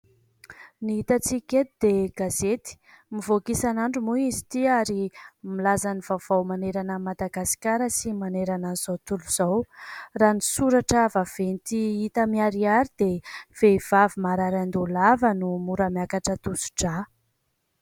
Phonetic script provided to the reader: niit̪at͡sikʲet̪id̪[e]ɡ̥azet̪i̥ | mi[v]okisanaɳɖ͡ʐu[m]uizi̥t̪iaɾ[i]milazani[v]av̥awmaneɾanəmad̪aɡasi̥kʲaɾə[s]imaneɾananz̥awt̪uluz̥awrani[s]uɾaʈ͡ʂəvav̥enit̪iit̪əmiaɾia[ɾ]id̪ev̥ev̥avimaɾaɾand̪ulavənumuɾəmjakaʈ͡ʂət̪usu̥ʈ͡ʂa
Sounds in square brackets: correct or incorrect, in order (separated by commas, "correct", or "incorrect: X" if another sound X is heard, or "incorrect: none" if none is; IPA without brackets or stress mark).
correct, correct, correct, correct, correct, correct, correct, correct